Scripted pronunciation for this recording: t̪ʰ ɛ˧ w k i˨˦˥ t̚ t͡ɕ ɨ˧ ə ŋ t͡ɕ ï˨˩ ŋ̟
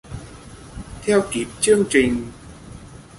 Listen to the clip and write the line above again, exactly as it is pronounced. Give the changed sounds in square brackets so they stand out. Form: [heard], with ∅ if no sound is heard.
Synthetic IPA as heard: t̪ʰ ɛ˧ w k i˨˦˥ [p̚] t͡ɕ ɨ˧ ə ŋ t͡ɕ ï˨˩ ŋ̟